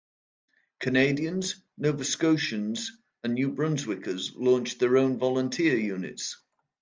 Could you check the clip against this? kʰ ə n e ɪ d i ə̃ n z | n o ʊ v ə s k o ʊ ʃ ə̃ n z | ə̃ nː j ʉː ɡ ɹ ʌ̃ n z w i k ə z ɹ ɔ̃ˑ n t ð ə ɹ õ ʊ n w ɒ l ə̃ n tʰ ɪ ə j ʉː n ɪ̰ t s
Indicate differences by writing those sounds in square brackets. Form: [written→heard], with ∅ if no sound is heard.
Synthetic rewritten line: kʰ ə n e ɪ d i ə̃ n z | n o ʊ v ə s k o ʊ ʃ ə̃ n z | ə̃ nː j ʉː [ɡ→b] ɹ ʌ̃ n z w [i→ɪ] k ə z [ɹ→l] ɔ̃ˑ n [t→t͡ʃ] ð ə ɹ õ [ʊ→ʊ̃] n [w→v] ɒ l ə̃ n tʰ ɪ ə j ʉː n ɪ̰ t s